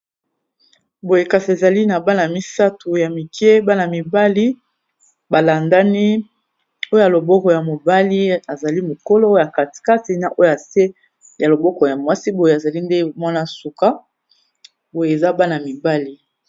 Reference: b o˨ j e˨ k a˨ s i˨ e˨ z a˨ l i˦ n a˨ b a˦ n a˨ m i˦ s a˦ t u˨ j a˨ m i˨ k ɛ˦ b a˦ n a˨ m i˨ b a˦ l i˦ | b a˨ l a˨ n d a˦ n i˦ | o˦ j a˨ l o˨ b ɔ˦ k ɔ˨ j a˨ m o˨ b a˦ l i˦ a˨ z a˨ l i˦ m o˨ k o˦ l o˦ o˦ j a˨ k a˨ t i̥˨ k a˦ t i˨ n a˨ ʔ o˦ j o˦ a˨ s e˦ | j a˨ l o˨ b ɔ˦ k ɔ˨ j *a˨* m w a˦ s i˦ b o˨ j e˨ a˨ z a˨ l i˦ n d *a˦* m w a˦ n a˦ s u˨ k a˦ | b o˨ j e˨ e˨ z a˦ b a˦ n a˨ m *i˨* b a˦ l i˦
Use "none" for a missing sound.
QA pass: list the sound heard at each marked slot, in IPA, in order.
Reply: a˨, e˦, i˨

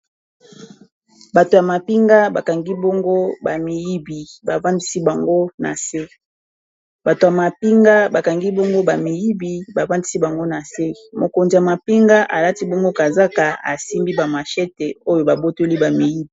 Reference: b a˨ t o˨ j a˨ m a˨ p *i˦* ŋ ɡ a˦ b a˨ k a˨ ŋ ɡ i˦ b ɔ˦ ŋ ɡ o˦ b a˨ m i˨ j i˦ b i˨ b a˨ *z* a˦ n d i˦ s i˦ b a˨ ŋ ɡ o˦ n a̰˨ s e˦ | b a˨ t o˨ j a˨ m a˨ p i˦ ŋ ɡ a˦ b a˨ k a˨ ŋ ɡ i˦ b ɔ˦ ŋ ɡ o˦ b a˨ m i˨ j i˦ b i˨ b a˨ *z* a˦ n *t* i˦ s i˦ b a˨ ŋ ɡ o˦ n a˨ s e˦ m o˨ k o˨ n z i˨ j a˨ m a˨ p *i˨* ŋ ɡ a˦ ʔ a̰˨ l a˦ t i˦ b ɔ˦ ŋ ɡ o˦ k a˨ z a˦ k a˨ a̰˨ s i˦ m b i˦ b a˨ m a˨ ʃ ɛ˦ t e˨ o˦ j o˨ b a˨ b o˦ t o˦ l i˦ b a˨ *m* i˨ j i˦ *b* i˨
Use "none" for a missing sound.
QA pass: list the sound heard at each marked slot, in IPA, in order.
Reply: i˦, v, v, d, i˦, m, b

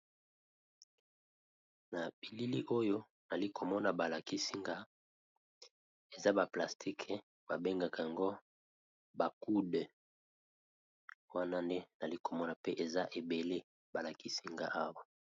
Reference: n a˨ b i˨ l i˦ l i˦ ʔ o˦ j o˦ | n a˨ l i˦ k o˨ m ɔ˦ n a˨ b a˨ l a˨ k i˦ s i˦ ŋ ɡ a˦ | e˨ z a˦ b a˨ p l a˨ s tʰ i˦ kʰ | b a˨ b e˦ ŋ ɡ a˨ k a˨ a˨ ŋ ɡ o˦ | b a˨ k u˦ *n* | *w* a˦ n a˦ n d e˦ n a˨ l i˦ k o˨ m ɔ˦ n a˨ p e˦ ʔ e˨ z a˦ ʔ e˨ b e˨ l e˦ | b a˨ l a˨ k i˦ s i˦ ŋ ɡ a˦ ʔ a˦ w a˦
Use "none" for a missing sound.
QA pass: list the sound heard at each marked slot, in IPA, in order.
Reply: d, w

